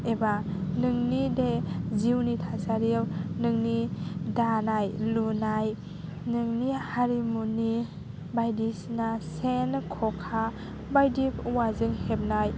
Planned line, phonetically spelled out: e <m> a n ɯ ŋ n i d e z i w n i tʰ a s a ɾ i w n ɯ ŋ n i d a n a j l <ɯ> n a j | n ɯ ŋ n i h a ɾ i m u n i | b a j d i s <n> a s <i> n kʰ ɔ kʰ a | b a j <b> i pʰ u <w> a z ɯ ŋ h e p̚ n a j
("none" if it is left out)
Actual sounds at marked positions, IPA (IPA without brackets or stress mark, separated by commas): b, u, n, e, d, w